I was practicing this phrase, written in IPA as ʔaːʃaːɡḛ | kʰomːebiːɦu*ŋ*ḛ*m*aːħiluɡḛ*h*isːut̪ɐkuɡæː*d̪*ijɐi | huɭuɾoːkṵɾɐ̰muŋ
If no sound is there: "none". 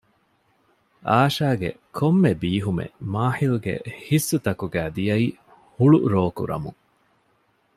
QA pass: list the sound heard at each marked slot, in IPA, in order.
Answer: m, m, h, d̪

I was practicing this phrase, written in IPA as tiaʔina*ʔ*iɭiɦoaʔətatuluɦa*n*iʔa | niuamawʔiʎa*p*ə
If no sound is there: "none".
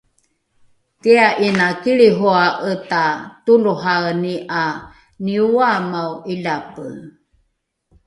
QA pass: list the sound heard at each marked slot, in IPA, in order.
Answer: k, n, p

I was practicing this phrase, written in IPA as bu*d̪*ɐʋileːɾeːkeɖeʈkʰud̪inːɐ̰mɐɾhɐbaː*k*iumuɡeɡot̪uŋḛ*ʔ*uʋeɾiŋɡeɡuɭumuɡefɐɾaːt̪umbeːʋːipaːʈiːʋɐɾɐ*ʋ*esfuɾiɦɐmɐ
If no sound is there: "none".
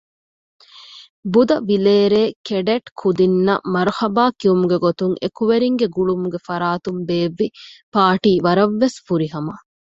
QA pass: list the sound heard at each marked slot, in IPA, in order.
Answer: d̪, k, k, ʋː

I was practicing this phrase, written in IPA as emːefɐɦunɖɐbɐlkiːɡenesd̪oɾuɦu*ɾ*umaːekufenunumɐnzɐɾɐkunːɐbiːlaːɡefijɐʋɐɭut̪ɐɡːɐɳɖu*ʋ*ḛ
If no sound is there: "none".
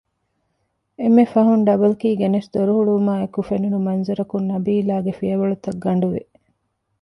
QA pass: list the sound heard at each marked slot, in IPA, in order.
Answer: ɭ, ʋ

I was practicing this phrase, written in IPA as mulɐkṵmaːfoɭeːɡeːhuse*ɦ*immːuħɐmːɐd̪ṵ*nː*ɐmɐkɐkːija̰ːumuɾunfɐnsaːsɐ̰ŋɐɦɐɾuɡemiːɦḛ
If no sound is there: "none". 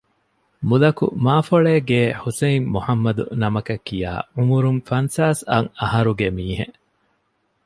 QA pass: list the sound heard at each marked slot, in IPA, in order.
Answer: none, n

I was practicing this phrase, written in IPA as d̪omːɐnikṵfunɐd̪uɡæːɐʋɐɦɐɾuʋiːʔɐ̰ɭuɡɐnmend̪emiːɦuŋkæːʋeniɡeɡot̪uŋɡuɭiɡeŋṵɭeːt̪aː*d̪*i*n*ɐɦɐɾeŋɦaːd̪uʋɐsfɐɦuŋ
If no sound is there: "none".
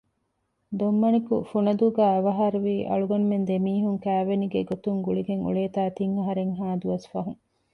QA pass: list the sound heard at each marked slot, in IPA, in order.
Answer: t̪, ŋ

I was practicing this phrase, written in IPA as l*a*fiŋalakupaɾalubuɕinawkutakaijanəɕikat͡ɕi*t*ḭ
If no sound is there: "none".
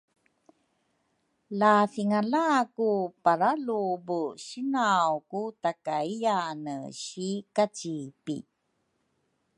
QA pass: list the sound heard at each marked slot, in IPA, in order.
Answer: a, p

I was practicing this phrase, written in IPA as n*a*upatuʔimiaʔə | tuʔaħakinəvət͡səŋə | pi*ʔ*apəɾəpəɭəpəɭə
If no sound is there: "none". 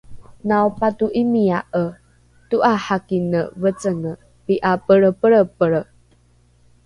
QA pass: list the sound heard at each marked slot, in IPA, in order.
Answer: a, ʔ

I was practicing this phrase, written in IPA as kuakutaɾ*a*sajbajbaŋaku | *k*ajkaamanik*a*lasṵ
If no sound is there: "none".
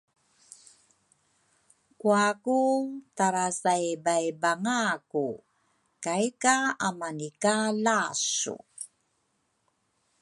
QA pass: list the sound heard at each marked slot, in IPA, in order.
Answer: a, k, a

